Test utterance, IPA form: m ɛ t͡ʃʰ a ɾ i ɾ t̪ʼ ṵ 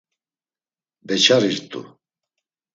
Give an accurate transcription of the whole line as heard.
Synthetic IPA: b ɛ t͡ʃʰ a ɾ i ɾ t̪ʼ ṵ